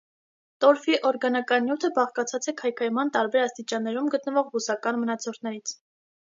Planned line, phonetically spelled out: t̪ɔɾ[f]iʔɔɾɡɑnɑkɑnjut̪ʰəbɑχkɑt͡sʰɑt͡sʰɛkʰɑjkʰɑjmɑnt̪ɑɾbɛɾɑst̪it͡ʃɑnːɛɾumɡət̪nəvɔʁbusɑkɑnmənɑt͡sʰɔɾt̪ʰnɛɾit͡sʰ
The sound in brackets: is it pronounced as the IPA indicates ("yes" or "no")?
yes